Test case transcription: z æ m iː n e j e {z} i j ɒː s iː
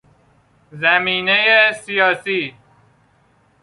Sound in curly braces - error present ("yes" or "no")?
yes